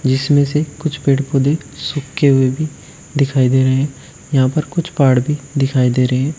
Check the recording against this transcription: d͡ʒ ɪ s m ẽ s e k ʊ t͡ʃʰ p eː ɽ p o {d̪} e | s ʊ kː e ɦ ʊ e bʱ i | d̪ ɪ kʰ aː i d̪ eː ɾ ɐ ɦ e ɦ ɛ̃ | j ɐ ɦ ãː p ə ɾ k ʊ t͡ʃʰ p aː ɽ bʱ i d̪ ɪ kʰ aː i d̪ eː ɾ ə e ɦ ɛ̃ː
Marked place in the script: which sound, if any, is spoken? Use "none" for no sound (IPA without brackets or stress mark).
d̪